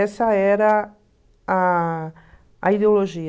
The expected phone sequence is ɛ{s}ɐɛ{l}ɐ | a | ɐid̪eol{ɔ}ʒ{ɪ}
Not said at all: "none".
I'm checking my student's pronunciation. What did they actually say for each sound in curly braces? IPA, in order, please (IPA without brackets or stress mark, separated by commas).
s, ɾ, o, i